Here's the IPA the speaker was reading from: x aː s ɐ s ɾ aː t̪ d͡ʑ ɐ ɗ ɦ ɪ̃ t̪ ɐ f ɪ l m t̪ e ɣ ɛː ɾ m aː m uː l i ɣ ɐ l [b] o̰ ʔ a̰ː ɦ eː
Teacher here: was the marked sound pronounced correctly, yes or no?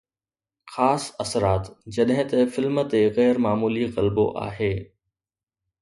yes